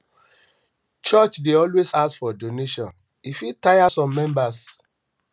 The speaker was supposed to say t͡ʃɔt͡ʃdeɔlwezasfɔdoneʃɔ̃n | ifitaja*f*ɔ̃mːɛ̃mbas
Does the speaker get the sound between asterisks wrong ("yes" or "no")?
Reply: yes